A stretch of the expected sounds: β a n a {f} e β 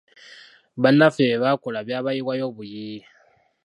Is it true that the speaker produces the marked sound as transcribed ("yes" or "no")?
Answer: yes